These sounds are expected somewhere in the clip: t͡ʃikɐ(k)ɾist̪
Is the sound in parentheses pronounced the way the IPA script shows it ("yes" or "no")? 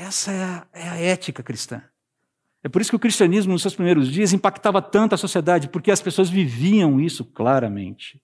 yes